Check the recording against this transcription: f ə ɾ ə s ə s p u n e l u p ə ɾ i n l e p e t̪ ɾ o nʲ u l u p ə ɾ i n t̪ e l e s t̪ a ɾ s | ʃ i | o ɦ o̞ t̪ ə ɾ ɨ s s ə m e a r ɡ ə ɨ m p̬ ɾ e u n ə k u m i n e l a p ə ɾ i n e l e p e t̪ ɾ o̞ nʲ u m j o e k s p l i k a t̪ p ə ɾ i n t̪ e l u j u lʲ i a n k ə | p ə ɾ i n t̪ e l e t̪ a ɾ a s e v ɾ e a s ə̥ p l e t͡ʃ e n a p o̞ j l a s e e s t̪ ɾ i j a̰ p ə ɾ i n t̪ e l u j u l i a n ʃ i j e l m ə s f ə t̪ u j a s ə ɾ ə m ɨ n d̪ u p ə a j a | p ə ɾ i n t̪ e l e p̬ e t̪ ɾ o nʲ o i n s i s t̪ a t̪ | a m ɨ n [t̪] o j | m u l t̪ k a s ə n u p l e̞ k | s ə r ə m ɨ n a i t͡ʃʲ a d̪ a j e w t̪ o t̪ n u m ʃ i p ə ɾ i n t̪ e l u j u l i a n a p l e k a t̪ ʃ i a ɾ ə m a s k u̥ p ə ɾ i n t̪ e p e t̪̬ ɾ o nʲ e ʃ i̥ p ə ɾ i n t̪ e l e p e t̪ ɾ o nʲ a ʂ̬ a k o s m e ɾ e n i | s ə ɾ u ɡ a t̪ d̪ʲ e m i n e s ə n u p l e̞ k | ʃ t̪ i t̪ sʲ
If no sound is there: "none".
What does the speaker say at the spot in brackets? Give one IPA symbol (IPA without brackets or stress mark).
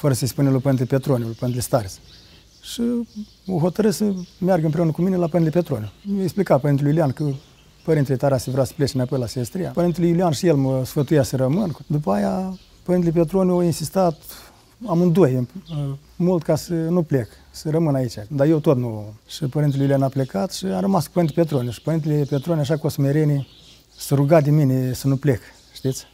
d̪